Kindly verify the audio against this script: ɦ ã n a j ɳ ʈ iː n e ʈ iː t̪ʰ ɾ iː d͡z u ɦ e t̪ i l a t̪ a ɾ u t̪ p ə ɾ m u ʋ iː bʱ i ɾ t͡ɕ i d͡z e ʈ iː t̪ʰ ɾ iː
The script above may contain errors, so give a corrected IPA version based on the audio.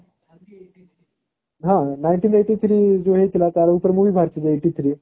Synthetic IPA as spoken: ɦ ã n a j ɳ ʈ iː n e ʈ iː t̪ʰ ɾ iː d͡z o ɦ e t̪ i l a t̪ a ɾ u p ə ɾ m u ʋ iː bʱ a ɾ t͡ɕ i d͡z e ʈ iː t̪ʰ ɾ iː